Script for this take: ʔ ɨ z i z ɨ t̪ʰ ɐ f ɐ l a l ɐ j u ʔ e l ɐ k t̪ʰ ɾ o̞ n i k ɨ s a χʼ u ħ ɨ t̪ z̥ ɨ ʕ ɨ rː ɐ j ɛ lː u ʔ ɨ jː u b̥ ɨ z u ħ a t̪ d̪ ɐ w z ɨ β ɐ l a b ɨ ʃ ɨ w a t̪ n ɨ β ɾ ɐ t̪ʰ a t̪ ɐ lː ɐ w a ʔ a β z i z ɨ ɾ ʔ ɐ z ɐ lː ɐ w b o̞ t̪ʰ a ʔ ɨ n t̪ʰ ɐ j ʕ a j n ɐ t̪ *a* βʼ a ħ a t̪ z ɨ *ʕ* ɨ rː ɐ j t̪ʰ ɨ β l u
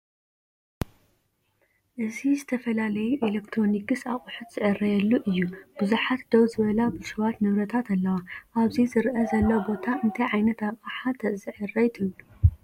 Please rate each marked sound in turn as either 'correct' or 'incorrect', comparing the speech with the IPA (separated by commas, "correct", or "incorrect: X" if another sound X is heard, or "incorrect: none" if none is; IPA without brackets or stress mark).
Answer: correct, correct